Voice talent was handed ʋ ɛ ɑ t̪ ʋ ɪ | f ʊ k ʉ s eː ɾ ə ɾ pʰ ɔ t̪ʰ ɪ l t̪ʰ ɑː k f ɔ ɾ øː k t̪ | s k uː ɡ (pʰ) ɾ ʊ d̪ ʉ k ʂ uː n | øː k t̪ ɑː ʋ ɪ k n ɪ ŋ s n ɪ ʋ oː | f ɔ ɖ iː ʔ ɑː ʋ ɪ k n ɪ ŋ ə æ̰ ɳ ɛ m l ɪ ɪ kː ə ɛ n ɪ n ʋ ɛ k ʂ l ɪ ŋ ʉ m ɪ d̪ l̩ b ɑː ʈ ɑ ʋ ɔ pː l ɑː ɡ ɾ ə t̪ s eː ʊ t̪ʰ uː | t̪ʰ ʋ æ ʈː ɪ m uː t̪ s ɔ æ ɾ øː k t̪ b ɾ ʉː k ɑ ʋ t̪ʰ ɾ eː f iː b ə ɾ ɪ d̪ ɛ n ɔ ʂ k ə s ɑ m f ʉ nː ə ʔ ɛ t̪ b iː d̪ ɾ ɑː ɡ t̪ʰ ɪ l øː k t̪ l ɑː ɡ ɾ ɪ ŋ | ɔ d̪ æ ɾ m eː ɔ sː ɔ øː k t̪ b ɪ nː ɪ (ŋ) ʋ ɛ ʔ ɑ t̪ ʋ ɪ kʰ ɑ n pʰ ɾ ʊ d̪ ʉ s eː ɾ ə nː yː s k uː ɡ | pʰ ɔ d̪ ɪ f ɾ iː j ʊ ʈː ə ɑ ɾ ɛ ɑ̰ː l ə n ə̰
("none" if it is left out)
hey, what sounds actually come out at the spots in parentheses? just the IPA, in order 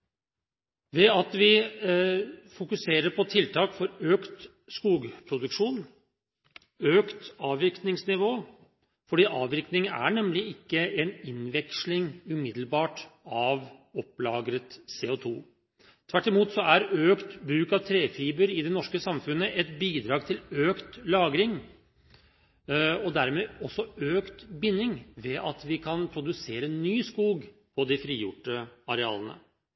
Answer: pʰ, ŋ

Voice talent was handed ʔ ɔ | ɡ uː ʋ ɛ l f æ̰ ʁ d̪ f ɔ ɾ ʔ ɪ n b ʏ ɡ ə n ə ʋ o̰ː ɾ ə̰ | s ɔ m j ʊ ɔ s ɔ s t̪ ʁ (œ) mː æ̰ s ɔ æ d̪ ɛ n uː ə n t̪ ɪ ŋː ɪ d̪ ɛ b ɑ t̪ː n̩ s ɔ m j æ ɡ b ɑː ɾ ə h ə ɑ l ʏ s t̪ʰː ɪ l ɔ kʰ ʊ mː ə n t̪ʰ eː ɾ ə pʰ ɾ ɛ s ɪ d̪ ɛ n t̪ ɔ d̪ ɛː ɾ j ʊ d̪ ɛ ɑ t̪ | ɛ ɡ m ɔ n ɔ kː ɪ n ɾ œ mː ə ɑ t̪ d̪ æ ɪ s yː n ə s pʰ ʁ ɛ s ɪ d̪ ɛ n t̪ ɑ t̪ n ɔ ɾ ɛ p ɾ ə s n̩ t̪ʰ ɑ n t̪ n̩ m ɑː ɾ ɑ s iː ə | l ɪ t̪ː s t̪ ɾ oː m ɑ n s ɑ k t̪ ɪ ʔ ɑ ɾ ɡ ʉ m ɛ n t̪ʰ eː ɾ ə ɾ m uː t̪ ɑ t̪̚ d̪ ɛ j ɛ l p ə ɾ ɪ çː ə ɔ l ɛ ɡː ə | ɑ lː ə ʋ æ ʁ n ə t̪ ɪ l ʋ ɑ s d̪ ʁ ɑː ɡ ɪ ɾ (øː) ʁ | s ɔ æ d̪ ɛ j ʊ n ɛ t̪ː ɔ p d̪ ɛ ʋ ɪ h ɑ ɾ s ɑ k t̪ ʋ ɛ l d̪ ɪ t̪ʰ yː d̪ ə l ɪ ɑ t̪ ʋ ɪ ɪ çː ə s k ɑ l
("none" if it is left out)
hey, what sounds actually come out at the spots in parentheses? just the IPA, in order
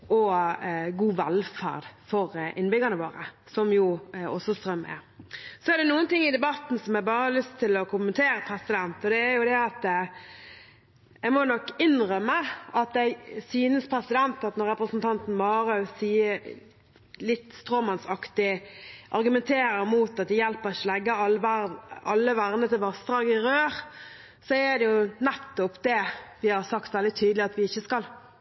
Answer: œ, øː

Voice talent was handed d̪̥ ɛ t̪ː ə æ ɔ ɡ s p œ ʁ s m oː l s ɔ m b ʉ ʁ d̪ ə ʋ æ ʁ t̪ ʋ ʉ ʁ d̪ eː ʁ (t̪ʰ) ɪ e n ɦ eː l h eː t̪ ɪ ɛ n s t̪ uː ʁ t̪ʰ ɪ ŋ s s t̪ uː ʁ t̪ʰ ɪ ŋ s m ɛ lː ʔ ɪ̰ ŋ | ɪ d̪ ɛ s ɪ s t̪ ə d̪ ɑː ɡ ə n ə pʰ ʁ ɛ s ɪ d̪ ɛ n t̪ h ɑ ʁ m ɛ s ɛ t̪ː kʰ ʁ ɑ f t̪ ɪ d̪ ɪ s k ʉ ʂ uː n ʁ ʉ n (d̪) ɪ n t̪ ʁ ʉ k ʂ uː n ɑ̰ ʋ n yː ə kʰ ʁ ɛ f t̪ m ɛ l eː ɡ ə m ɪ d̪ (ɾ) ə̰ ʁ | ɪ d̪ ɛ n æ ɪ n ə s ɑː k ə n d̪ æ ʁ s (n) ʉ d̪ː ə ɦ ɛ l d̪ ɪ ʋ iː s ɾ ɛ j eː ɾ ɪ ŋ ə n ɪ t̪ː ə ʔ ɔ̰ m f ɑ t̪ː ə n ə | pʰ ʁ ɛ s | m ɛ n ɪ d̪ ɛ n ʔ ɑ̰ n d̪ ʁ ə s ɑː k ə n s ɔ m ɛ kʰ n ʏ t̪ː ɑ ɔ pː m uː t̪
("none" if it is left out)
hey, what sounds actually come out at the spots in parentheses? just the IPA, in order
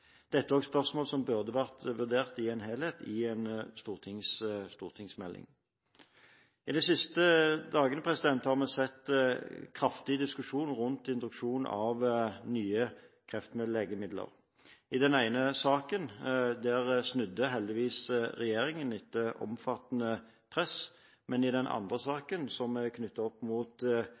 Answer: t̪, t̪, l, n

